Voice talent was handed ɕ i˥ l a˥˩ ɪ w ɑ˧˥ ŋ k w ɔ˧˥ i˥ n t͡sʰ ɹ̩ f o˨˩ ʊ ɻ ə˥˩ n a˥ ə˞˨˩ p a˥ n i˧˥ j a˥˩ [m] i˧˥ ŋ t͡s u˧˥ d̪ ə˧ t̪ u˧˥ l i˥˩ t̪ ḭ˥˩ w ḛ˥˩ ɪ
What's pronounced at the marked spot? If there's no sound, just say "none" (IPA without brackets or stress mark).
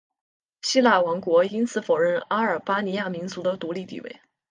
m